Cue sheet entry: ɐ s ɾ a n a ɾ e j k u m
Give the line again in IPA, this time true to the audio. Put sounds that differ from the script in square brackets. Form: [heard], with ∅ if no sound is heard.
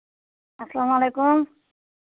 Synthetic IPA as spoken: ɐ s [l] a [m] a [l] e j k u m